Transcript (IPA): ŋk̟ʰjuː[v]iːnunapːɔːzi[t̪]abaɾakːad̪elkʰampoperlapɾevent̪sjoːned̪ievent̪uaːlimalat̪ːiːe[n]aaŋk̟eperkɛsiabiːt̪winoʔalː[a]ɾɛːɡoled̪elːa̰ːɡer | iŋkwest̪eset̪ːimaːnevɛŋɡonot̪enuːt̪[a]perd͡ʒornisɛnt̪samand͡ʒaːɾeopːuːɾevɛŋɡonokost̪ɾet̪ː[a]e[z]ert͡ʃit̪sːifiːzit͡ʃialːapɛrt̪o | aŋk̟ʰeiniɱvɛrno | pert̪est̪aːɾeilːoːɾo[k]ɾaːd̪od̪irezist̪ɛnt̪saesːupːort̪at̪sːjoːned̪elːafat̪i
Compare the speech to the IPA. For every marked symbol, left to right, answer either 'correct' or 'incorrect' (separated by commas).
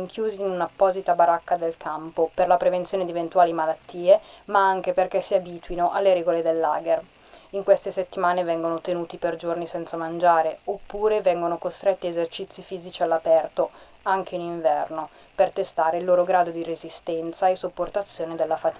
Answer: incorrect, correct, incorrect, incorrect, incorrect, incorrect, correct, incorrect